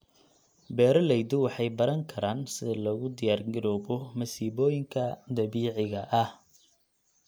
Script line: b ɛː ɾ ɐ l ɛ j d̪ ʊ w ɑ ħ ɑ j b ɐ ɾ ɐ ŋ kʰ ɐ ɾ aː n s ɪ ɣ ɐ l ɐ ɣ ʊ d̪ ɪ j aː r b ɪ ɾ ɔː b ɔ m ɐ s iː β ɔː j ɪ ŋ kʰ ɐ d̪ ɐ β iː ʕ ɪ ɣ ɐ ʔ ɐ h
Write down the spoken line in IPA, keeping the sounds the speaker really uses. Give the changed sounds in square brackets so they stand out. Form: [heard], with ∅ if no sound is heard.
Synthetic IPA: b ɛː ɾ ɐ l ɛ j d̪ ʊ w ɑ ħ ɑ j b ɐ ɾ ɐ ŋ kʰ ɐ ɾ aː n s ɪ [ð] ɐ l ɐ ɣ ʊ d̪ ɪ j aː r [ɡ] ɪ ɾ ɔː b ɔ m ɐ s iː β ɔː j ɪ ŋ kʰ ɐ d̪ ɐ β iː ʕ ɪ ɣ ɐ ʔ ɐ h